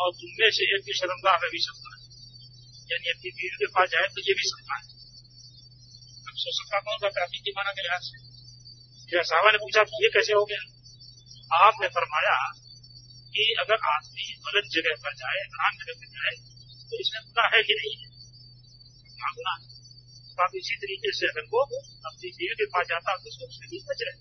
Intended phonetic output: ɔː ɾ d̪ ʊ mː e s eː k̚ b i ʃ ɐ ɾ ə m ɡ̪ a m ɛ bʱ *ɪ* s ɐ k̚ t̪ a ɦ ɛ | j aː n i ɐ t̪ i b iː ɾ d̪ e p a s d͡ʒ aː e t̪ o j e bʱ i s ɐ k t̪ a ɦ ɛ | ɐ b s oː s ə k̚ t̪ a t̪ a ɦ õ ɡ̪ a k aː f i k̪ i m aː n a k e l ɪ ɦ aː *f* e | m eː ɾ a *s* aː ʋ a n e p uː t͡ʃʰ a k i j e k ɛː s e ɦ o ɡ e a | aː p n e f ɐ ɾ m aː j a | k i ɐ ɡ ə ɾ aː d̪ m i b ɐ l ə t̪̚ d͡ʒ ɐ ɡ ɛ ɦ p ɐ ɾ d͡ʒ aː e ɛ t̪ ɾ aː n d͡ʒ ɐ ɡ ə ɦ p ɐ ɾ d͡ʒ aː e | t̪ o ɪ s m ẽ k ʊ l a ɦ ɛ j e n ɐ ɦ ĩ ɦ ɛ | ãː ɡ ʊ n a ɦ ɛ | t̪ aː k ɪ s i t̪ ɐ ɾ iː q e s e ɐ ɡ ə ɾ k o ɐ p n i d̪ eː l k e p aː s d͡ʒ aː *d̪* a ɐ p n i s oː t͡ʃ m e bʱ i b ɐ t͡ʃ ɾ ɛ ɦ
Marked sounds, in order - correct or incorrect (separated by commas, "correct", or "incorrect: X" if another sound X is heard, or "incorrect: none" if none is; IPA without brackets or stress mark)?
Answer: incorrect: i, incorrect: s, correct, incorrect: t̪